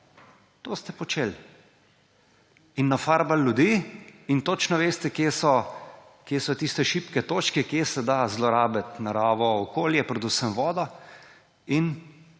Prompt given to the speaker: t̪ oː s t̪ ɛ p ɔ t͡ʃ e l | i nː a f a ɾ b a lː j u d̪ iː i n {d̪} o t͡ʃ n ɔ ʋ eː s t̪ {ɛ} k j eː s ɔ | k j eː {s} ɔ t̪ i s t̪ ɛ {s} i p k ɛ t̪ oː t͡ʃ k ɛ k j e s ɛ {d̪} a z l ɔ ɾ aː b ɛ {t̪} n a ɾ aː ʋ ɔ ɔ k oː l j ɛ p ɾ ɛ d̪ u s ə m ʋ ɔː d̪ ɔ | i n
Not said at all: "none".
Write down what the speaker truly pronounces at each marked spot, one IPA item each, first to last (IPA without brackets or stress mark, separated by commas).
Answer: t̪, ɛ, s, ʃ, d̪, t̪